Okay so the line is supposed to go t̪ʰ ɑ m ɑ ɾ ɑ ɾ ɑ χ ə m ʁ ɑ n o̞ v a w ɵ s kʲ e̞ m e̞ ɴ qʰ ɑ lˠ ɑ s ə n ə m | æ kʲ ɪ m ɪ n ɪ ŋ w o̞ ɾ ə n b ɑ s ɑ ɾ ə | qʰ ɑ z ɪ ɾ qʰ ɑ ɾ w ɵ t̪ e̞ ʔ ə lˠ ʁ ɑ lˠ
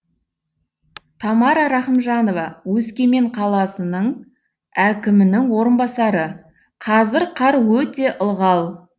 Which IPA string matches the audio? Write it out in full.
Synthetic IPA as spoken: t̪ʰ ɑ m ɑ ɾ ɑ ɾ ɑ χ ə m ʒ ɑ n o̞ v ɑ w ɵ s kʲ e̞ m e̞ ɴ qʰ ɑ lˠ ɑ s ə n ə ɴ | æ kʲ ɪ m ɪ n ɪ ŋ w o̞ ɾ ə n b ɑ s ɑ ɾ ə | qʰ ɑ z ɪ ɾ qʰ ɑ ɾ w ɵ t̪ e̞ ʔ ə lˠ ʁ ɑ lˠ